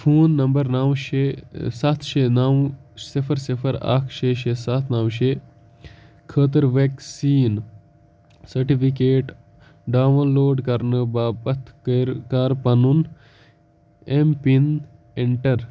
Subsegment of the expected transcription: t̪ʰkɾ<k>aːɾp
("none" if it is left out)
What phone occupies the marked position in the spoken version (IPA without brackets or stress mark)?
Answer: k